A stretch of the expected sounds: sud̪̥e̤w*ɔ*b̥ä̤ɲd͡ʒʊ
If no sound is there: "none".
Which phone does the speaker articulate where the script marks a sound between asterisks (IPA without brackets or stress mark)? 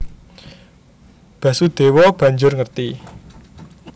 ɔ